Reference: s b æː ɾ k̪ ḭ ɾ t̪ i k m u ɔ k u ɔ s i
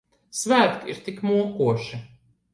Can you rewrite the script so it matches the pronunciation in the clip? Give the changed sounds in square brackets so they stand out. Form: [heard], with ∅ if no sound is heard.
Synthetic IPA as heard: s [v] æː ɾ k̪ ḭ ɾ t̪ i k m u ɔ k u ɔ [ʃ] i